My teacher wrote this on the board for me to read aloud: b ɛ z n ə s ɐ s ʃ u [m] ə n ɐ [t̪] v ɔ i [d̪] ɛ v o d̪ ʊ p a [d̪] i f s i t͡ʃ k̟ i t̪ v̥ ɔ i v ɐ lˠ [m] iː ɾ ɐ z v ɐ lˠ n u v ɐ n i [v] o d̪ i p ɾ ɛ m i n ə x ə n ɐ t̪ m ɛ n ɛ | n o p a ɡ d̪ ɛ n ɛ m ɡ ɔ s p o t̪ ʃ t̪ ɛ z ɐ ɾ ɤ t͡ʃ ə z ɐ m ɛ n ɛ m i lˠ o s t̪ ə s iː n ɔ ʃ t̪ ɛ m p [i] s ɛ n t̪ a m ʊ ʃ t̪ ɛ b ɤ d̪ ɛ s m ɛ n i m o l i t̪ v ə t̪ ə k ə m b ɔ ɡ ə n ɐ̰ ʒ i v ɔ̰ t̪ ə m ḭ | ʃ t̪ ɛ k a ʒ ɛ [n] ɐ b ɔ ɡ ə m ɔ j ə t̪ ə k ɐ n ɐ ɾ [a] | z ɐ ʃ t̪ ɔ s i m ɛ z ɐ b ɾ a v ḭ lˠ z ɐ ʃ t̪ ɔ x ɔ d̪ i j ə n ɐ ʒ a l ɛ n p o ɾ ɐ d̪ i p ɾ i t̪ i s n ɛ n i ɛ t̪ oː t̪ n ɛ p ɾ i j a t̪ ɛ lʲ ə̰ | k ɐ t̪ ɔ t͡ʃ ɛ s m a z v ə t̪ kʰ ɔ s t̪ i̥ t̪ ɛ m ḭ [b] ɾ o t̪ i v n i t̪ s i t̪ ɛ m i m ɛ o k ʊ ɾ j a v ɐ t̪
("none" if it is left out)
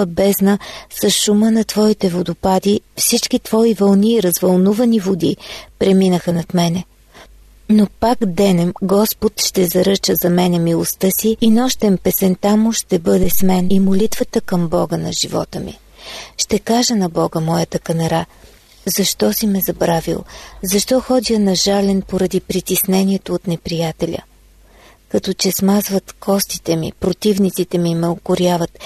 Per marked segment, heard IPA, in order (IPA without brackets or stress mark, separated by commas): m, t̪, t̪, d̪, n, v, ɛ, n, a, p